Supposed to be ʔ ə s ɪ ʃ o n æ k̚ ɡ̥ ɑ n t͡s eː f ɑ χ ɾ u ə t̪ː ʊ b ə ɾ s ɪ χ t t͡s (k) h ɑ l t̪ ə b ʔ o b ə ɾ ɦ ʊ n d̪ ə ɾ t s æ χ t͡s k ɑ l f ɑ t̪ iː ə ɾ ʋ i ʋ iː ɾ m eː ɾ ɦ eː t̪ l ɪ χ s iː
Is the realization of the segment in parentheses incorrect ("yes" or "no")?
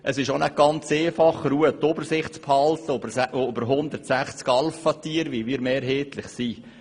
yes